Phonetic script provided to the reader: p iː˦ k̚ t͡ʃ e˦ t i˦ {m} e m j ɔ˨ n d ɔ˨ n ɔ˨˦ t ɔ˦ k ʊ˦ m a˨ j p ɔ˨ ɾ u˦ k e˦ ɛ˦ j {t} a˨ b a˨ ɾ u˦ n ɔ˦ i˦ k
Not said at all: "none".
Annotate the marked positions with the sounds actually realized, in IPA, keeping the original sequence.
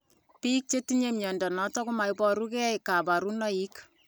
ɲ, k

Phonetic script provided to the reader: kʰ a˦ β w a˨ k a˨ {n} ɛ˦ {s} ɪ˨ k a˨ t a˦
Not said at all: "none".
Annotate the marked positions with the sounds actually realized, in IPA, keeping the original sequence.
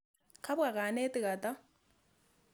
n, t

